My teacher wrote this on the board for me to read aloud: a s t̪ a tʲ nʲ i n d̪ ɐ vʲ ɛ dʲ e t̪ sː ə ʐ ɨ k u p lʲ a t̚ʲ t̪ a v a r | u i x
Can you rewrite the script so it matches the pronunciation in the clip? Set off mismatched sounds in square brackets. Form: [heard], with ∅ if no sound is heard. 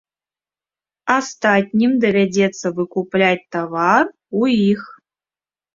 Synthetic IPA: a s t̪ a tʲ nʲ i [m] d̪ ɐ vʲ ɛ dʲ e t̪ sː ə [v] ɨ k u p lʲ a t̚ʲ t̪ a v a r | u i x